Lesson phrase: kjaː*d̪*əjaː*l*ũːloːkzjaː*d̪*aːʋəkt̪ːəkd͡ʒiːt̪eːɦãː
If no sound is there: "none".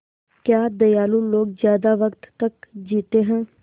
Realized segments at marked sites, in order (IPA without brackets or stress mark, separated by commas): d̪, l, d̪